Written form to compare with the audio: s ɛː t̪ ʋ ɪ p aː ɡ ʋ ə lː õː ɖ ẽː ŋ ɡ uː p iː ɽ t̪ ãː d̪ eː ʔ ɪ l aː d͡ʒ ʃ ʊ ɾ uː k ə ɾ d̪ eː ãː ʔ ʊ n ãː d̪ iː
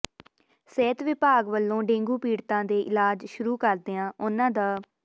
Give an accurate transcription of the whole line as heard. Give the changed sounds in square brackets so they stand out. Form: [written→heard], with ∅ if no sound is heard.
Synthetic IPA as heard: s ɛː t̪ ʋ ɪ p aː ɡ ʋ ə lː õː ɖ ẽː ŋ ɡ uː p iː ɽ t̪ ãː d̪ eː ʔ ɪ l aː d͡ʒ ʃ ʊ ɾ uː k ə ɾ d̪ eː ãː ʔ ʊ n ãː d̪ [iː→aː]